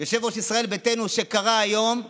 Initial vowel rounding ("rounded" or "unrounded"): rounded